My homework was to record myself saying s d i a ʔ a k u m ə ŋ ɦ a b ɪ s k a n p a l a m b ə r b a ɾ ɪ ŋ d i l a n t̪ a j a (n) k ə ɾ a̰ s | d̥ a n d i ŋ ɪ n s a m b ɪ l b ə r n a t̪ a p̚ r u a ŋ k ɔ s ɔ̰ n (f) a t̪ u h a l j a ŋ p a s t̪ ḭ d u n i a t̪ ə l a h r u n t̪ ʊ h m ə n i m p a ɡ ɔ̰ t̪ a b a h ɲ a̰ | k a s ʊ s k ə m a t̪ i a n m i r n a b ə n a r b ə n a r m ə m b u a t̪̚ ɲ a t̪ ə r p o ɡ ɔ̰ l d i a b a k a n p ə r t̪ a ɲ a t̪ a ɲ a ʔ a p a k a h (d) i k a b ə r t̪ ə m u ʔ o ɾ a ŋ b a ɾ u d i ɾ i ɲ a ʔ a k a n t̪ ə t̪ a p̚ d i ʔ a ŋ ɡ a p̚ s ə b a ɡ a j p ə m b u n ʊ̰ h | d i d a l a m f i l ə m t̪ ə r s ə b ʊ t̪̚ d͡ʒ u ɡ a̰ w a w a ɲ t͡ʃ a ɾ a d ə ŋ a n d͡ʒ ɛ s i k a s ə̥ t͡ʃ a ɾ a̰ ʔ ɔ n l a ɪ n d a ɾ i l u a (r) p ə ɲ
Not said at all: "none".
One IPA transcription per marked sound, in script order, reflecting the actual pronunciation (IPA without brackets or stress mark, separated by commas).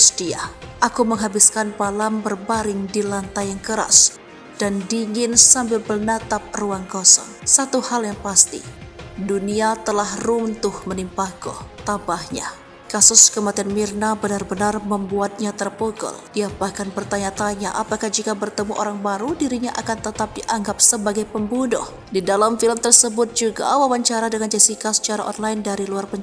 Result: ŋ, s, d͡ʒ, r